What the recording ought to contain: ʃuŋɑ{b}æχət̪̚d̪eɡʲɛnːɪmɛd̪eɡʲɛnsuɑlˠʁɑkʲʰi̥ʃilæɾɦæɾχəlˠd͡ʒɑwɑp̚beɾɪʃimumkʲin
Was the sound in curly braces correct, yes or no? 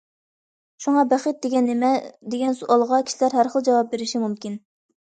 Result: yes